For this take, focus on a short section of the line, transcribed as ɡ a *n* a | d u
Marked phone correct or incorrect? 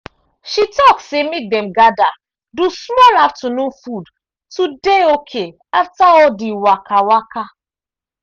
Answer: incorrect